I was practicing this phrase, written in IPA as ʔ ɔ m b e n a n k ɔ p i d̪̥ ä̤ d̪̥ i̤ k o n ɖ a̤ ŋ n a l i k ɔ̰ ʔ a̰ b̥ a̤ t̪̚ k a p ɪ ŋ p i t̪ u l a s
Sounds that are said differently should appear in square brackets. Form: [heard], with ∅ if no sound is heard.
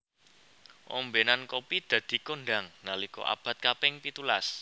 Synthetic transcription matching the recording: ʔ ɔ m b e n a n k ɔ p i d̪̥ ä̤ d̪̥ i̤ k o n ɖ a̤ ŋ n a l i k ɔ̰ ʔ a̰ b̥ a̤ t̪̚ k a p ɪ ŋ p i t̪ u l a s